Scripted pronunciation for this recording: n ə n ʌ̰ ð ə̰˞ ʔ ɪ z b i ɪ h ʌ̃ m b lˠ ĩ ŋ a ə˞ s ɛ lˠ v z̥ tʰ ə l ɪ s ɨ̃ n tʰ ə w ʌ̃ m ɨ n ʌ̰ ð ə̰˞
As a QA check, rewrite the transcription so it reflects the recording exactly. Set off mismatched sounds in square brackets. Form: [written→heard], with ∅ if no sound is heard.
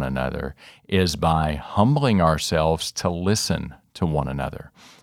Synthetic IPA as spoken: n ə n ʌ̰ ð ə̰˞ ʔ ɪ z b [i→a] ɪ h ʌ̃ m b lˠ [ĩ→ɪ̃] ŋ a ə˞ s ɛ lˠ v z̥ tʰ ə l ɪ s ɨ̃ n tʰ ə w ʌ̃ [m→n] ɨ n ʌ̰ ð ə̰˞